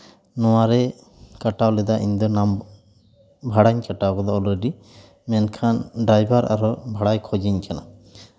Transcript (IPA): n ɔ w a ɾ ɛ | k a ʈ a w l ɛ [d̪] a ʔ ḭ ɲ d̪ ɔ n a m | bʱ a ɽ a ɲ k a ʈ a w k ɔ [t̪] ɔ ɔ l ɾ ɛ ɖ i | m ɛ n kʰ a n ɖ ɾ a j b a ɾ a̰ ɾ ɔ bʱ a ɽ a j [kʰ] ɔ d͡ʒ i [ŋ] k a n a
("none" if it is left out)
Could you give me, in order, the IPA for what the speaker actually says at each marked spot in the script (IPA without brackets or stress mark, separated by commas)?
d̪, d̪, kʰ, ɲ